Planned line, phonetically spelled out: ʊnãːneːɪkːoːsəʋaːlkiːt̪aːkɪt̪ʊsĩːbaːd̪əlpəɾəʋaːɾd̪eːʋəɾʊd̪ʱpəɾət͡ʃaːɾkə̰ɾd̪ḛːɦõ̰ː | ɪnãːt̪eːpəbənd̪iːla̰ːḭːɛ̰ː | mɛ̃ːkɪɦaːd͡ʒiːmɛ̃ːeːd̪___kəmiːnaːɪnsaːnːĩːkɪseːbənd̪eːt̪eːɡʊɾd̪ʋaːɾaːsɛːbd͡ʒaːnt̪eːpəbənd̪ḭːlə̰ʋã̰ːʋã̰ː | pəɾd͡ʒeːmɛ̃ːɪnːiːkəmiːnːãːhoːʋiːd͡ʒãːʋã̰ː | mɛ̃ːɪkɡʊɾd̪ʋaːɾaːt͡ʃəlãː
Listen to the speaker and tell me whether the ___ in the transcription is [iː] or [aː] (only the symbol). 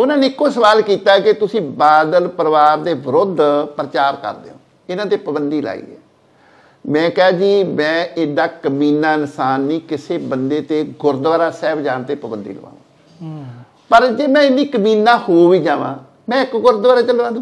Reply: aː